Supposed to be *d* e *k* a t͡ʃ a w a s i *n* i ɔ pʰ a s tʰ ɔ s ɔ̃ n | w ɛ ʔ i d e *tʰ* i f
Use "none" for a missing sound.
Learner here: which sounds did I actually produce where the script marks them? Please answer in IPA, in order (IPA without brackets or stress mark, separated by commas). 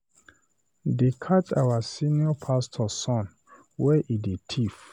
d, kʰ, n, tʰ